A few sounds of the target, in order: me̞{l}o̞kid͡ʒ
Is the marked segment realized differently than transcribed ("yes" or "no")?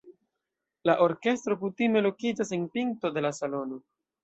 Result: no